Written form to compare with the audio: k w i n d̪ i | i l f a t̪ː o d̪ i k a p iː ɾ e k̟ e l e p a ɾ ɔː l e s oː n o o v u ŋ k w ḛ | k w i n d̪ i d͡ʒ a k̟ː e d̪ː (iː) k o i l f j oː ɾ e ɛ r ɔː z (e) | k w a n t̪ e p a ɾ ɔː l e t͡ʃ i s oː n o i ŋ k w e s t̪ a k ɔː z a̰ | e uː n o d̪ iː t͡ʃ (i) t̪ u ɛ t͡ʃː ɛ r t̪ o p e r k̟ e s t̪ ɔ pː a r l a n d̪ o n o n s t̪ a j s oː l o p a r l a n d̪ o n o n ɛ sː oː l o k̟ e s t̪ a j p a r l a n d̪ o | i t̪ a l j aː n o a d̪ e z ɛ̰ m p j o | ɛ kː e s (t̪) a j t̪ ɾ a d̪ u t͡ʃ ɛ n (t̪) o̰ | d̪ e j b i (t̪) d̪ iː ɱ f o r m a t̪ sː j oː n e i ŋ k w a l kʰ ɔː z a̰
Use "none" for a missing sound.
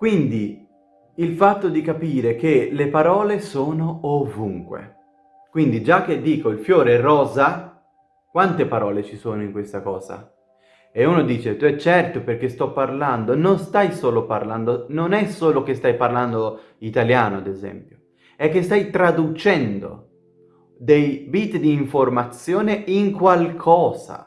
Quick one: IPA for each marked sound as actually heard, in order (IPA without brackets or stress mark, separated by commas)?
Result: iː, a, e, t̪, d̪, t̪